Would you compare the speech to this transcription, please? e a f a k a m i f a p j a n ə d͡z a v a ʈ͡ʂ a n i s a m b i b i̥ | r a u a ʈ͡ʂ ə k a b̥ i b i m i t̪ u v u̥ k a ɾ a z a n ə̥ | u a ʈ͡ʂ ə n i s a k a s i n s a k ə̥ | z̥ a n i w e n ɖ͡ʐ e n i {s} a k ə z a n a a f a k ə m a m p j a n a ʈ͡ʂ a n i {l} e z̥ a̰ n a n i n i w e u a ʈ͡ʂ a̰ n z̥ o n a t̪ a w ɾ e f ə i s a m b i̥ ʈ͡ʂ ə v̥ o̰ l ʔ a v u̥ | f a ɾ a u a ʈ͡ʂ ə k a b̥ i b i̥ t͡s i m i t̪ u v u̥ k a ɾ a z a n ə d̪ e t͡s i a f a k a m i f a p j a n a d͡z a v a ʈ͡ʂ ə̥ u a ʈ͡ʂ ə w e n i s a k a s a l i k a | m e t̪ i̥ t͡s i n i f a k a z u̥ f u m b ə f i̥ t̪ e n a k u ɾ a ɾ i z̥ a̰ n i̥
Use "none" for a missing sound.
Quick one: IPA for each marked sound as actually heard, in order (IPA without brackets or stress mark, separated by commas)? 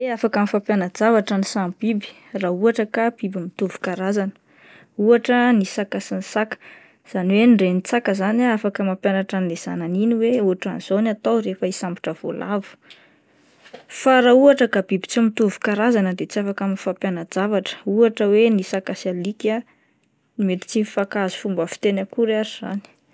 t͡s, l